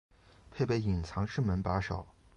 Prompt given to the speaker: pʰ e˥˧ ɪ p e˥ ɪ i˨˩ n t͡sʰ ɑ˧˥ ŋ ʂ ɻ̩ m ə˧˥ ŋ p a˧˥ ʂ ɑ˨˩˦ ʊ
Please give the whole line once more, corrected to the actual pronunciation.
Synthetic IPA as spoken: pʰ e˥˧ ɪ p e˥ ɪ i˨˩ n t͡sʰ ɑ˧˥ ŋ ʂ ɻ̩ m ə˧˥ n p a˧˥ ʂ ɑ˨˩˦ ʊ

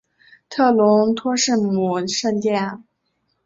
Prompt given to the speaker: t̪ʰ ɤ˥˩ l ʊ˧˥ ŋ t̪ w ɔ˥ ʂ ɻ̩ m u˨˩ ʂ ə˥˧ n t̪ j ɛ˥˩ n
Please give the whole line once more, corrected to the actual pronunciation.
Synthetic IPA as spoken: t̪ʰ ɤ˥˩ l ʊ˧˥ ŋ t̪ʰ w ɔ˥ ʂ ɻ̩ m u˨˩ ʂ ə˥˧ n t̪ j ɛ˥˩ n

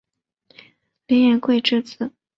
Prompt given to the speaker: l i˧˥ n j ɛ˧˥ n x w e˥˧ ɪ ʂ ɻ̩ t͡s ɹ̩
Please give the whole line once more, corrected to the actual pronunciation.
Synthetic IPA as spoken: l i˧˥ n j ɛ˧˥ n k w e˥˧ ɪ ʈ͡ʂ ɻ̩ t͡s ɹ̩

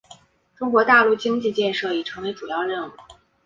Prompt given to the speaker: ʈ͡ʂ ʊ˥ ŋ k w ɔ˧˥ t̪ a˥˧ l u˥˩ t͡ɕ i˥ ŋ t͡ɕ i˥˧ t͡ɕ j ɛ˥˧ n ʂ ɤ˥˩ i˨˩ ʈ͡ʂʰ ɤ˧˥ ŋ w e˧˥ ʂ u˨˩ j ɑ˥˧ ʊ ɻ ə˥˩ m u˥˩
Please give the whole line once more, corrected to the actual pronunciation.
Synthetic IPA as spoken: ʈ͡ʂ ʊ˥ ŋ k w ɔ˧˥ t̪ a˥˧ l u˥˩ t͡ɕ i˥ ŋ t͡ɕ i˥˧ t͡ɕ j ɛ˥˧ n ʂ ɤ˥˩ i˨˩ ʈ͡ʂʰ ɤ˧˥ ŋ w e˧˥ ʈ͡ʂ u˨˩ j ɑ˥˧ ʊ ɻ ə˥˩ n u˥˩

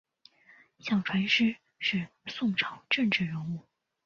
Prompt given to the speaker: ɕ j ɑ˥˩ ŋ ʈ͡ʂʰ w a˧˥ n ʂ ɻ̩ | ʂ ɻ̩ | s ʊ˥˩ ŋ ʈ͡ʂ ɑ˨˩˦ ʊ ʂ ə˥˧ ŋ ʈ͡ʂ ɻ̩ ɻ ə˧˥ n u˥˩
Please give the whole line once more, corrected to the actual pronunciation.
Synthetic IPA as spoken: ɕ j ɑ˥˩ ŋ ʈ͡ʂʰ w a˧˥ n ʂ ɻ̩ | ʂ ɻ̩ | s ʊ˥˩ ŋ ʈ͡ʂʰ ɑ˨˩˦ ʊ ʈ͡ʂ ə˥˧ ŋ ʈ͡ʂ ɻ̩ ɻ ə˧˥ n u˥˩

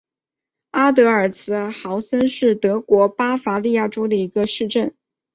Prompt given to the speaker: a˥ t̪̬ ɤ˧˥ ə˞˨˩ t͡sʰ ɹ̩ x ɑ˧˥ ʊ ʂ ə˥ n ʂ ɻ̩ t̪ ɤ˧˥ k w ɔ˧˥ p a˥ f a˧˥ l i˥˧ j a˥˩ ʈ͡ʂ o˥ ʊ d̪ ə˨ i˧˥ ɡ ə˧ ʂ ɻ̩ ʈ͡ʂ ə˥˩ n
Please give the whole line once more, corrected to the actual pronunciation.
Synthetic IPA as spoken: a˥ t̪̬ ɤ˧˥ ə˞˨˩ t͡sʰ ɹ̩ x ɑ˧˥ ʊ s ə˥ n ʂ ɻ̩ t̪ ɤ˧˥ k w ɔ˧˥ p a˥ f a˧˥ l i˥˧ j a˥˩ ʈ͡ʂ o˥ ʊ d̪ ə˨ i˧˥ ɡ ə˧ ʂ ɻ̩ ʈ͡ʂ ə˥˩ n

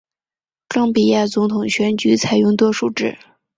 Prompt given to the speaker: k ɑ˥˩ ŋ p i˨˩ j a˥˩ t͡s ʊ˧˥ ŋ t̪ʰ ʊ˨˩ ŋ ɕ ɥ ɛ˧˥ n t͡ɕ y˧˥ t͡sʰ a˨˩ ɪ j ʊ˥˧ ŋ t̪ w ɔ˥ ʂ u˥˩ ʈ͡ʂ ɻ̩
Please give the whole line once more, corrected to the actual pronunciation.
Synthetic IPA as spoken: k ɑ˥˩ ŋ p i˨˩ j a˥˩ t͡s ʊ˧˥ ŋ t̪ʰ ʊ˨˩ ŋ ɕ ɥ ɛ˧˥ n t͡ɕ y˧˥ t͡sʰ a˨˩ ɪ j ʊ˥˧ ŋ t̪ w ɔ˥ ʂ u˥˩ ʈ͡ʂ ɻ̩

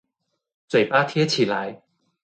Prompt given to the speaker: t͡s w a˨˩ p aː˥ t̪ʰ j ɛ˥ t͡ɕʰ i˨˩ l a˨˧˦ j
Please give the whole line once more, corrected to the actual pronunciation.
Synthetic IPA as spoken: t͡s w e˨˩ p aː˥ t̪ʰ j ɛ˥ t͡ɕʰ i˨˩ l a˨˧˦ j

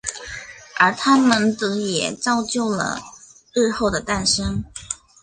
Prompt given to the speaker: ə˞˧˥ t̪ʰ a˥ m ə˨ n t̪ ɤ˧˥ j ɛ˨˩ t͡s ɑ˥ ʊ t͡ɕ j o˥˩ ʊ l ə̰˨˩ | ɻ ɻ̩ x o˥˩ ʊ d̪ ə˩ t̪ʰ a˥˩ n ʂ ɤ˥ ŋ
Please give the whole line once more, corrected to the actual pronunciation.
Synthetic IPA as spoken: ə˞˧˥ t̪ʰ a˥ m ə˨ n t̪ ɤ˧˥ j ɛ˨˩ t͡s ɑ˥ ʊ t͡ɕ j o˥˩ ʊ l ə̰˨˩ | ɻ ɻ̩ x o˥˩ ʊ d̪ ə˩ t̪ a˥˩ n ʂ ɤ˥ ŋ

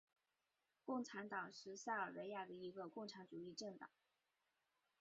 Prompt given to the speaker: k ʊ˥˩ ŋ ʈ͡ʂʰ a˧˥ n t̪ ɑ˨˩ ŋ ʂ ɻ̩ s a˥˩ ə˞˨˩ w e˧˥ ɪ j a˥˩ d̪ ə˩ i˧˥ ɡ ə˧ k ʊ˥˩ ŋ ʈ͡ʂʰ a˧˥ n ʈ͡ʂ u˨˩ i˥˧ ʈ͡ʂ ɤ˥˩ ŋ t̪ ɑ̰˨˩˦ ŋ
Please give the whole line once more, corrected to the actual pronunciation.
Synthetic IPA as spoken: k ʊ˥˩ ŋ ʈ͡ʂʰ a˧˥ n t̪ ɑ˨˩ ŋ ʂ ɻ̩ s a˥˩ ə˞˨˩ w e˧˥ ɪ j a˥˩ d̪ ə˩ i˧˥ ɡ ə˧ k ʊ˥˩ ŋ ʈ͡ʂʰ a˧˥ n ʈ͡ʂ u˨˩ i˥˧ ʈ͡ʂ ɤ˥˩ ŋ t̪ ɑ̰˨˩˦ ŋ

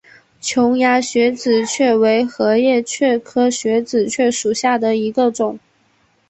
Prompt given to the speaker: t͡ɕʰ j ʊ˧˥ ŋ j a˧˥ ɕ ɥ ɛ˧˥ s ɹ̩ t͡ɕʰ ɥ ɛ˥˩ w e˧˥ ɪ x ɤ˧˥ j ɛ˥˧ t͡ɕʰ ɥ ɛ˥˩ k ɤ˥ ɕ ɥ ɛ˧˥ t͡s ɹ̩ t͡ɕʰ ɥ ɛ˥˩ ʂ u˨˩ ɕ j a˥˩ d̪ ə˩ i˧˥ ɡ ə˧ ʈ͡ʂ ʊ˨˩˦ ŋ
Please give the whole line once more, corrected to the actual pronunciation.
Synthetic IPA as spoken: t͡ɕʰ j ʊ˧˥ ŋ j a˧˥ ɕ ɥ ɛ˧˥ t͡s ɹ̩ t͡ɕʰ ɥ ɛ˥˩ w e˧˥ ɪ x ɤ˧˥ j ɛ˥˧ t͡ɕʰ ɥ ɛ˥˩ kʰ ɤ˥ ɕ ɥ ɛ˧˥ t͡s ɹ̩ t͡ɕʰ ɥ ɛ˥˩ ʂ u˨˩ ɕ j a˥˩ d̪ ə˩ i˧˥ ɡ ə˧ ʈ͡ʂ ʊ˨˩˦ ŋ

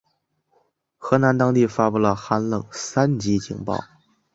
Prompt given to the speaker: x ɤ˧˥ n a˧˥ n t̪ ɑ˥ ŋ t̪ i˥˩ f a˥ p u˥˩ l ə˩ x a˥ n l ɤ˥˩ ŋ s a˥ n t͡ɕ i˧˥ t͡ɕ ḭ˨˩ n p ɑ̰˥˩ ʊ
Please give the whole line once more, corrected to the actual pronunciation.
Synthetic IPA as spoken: x ɤ˧˥ n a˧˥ n t̪ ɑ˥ ŋ t̪ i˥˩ f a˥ p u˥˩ l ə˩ x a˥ n l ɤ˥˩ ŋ s a˥ n t͡ɕ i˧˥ t͡ɕ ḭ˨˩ ŋ p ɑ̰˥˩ ʊ

